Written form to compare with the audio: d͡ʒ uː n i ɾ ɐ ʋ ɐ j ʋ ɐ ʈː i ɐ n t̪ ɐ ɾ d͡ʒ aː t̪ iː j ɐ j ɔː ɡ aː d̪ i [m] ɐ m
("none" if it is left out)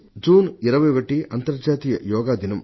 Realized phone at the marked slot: n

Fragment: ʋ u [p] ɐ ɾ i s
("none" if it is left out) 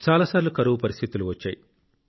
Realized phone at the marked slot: p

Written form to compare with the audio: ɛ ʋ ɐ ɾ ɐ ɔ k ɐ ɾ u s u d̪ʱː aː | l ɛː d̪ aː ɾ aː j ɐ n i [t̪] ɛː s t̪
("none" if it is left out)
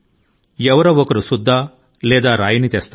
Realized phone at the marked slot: t̪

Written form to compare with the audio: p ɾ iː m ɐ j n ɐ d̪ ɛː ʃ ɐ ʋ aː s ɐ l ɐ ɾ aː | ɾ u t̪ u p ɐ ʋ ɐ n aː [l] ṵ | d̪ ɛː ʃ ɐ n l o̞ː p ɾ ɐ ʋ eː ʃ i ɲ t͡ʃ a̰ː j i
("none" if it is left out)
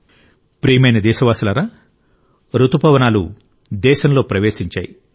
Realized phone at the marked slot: l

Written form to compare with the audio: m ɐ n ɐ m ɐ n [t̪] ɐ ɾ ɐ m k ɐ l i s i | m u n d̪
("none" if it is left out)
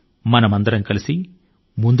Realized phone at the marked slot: d̪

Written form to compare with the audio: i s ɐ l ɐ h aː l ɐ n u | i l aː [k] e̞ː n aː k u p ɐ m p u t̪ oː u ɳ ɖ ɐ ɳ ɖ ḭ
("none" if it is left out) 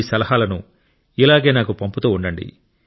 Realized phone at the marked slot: ɡ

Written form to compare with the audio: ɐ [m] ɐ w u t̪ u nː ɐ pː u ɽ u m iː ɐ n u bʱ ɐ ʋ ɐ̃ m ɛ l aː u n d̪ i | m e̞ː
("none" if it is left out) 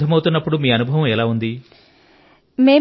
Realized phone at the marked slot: m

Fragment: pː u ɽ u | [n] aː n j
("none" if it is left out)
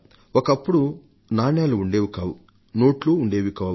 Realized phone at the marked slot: n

